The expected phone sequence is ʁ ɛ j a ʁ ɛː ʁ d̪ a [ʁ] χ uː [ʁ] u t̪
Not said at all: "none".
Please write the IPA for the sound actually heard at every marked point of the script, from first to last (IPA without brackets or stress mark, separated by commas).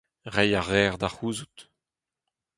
none, z